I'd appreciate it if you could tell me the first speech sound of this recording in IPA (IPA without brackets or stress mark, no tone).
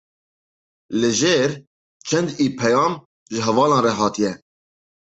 l